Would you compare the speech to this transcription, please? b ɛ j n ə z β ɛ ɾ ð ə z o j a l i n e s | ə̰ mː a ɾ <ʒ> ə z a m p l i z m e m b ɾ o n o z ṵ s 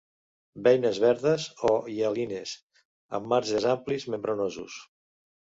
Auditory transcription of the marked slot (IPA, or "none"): ʒ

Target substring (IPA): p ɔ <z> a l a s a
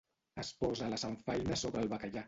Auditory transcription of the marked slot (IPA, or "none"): z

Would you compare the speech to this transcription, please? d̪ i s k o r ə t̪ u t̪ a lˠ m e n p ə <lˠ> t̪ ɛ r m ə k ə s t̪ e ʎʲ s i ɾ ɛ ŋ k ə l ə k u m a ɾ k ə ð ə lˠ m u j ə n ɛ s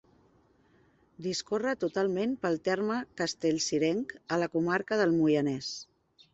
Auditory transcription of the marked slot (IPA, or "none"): lˠ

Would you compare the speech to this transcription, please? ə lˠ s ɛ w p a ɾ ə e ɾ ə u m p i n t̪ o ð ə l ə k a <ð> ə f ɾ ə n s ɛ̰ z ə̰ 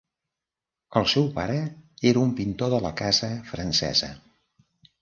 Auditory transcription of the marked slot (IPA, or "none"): z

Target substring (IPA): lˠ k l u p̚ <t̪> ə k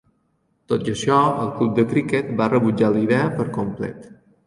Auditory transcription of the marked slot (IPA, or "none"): d̪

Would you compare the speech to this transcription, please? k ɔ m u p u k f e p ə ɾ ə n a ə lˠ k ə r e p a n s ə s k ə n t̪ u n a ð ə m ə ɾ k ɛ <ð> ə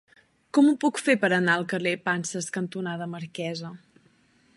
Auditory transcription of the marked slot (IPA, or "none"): z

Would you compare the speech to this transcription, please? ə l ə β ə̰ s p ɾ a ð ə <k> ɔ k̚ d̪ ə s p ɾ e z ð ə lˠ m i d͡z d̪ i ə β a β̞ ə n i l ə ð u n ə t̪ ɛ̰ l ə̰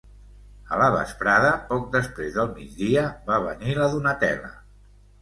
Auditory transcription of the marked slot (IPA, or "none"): p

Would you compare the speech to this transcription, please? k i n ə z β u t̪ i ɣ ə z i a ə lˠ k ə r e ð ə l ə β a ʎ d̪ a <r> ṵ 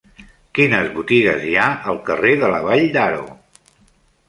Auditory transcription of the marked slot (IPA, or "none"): ɾ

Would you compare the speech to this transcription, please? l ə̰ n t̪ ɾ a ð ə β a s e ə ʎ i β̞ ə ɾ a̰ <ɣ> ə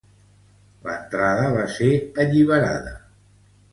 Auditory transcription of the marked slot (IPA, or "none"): ð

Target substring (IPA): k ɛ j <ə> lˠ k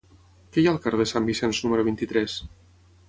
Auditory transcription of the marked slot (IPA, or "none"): a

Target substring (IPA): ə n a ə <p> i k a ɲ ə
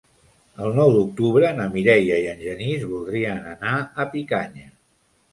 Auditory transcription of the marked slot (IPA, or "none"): p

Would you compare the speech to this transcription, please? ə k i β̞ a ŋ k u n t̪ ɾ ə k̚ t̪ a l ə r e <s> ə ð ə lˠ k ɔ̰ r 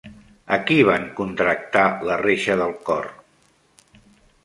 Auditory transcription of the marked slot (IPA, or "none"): ʃ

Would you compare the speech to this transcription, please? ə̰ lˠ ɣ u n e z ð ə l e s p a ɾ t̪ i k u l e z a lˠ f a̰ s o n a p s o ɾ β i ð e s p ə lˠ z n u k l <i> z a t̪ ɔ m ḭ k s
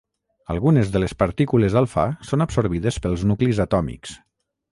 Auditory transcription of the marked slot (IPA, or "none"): i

